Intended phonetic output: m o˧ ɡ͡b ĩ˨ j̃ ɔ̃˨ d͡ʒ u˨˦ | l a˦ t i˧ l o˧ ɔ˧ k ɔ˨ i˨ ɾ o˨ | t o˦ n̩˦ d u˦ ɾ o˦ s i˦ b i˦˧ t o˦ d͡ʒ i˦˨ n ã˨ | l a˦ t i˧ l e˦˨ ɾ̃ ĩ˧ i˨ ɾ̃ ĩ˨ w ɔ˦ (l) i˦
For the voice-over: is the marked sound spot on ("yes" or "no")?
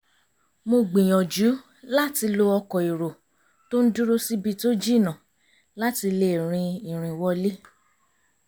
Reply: yes